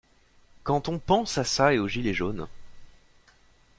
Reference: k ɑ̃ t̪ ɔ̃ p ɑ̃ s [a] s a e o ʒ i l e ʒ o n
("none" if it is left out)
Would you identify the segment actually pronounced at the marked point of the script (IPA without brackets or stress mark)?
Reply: a